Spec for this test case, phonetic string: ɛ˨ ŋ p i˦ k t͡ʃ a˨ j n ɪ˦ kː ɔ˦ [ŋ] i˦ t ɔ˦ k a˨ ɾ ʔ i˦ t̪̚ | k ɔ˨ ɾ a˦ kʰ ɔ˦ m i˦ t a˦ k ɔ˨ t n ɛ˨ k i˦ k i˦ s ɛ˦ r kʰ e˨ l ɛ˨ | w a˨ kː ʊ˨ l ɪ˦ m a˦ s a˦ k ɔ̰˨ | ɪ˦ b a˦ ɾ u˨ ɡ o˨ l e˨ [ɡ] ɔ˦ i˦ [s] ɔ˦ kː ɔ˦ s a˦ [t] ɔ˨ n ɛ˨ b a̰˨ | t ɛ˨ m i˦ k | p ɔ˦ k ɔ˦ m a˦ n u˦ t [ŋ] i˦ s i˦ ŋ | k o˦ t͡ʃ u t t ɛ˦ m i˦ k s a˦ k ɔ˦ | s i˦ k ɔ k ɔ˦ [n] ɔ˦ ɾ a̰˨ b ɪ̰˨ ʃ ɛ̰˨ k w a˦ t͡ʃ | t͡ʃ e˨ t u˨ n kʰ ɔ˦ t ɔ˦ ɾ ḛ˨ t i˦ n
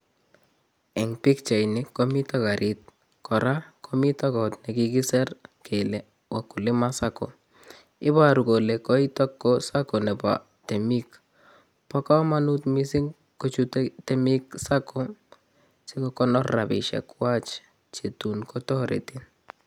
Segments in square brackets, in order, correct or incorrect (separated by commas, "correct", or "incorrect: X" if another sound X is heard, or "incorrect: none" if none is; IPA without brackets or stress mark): incorrect: m, incorrect: k, incorrect: t, incorrect: k, incorrect: m, correct